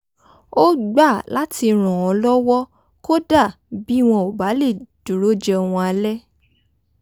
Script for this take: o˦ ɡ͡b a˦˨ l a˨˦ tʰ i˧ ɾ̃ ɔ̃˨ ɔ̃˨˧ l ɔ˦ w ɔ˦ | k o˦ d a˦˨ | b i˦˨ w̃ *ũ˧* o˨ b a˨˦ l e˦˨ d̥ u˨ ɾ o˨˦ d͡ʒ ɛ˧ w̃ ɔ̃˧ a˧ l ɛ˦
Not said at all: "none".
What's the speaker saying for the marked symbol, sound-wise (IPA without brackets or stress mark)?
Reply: ɔ̃˧